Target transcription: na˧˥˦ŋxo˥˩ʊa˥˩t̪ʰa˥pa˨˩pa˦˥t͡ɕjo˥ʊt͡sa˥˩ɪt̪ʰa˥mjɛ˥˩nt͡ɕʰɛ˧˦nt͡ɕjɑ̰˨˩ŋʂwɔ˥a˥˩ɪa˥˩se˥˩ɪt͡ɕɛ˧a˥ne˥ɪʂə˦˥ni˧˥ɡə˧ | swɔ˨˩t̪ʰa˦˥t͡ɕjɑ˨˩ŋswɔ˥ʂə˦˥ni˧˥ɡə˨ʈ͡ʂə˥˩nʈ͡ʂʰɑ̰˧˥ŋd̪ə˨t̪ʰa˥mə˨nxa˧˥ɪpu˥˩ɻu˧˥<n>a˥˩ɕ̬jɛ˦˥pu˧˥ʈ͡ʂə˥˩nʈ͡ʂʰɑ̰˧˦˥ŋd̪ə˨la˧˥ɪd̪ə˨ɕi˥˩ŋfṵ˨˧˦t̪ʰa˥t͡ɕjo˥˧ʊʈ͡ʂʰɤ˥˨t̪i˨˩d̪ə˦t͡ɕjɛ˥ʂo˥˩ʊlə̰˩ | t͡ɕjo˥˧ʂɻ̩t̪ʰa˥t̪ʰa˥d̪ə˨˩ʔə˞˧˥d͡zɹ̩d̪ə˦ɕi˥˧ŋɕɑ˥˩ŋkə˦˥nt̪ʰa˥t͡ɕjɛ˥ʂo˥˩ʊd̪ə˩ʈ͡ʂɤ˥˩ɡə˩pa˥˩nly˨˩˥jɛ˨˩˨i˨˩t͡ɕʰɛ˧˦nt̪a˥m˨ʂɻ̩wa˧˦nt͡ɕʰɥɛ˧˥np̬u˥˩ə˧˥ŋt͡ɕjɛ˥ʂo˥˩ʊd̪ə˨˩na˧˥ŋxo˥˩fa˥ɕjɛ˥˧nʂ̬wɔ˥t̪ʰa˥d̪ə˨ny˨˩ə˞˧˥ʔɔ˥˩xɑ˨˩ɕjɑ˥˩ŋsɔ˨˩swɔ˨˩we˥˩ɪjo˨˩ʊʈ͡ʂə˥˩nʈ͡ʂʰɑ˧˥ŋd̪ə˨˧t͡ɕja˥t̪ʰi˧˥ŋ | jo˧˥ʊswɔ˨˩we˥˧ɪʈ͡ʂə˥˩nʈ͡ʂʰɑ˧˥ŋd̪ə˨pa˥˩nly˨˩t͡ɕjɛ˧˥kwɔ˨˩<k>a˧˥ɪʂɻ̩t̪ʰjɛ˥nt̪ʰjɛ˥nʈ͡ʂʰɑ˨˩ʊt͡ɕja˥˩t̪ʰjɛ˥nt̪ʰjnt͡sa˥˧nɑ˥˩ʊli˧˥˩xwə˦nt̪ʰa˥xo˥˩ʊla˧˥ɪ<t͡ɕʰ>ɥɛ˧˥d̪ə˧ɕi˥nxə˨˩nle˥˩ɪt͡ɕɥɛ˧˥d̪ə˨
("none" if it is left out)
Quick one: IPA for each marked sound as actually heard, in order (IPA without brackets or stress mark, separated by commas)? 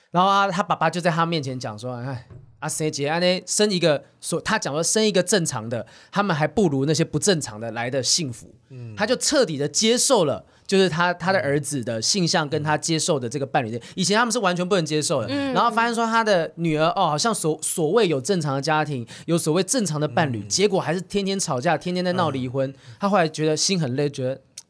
n, x, t͡ɕ